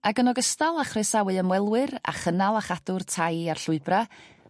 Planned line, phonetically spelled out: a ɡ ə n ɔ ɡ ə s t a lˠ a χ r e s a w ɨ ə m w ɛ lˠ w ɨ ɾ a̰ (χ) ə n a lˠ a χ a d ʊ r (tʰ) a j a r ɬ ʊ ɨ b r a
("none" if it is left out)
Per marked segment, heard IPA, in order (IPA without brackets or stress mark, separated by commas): χ, tʰ